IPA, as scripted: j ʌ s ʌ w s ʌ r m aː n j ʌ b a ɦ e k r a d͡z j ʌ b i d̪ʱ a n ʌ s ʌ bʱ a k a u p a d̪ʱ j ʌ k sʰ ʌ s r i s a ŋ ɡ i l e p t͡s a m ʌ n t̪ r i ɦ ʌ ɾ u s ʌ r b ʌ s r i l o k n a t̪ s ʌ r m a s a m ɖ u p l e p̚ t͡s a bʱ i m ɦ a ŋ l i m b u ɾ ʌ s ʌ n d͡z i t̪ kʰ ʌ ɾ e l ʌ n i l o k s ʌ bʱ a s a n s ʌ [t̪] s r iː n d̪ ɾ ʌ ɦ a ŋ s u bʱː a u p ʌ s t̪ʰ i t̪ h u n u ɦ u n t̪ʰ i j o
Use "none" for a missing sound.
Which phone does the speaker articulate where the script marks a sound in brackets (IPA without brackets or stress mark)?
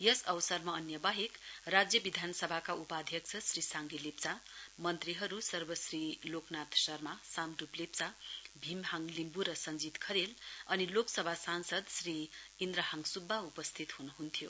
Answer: d̪